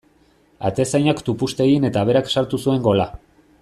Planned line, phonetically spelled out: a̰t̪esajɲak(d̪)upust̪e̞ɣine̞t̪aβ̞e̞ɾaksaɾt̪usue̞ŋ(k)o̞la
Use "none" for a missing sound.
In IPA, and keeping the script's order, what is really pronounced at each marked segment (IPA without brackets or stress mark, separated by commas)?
t̪, ɡ